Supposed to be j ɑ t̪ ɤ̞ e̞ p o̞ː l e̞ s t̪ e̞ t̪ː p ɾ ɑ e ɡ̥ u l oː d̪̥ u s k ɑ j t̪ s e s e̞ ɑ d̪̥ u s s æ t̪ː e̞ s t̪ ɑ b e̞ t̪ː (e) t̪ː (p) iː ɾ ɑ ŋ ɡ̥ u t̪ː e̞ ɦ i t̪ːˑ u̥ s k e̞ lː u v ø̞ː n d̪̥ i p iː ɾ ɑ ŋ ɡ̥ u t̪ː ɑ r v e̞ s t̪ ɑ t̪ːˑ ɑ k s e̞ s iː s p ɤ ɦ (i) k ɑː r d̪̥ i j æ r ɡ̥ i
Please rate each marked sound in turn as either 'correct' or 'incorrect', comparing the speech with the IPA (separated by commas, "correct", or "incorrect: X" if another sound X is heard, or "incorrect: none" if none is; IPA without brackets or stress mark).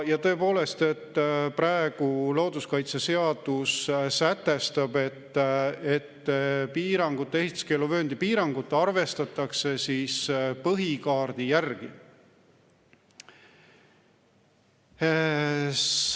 correct, correct, correct